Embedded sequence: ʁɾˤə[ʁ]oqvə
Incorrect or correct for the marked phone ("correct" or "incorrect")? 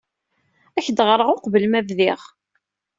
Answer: correct